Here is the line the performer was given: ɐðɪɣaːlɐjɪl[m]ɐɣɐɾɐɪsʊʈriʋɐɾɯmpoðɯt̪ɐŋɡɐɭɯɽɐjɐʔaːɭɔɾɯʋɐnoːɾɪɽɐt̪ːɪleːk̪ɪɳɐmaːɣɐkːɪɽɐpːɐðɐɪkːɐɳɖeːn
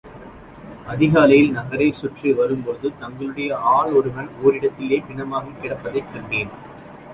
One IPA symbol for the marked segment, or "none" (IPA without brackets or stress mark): n